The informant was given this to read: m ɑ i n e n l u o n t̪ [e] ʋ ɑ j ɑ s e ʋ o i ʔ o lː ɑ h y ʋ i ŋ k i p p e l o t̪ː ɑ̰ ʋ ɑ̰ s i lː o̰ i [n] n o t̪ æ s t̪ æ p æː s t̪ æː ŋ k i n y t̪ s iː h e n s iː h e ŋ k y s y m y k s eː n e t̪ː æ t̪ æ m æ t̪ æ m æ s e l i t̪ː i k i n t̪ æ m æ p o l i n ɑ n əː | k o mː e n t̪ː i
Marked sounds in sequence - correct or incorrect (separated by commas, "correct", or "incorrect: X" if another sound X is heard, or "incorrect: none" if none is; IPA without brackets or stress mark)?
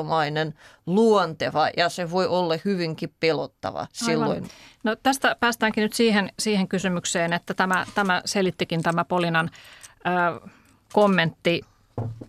correct, correct